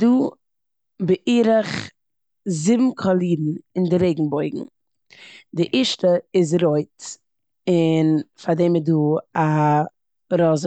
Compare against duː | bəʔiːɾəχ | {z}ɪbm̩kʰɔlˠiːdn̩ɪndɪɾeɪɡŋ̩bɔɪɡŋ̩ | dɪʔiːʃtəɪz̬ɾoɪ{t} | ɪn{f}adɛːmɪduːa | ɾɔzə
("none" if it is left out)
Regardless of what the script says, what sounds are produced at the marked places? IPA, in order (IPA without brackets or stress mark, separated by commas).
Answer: z, t, f